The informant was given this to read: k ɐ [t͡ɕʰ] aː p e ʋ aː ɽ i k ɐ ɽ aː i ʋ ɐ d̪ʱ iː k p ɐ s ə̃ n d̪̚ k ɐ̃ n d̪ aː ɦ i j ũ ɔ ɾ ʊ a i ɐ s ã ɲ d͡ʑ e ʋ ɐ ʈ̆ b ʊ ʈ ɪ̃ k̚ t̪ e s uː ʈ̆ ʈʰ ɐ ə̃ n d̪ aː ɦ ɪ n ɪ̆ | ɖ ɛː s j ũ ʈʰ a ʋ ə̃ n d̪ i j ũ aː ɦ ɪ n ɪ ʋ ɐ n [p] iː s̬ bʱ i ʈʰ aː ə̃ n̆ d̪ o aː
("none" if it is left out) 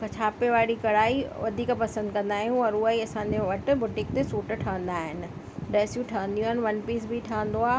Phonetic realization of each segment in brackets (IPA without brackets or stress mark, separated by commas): t͡ɕʰ, p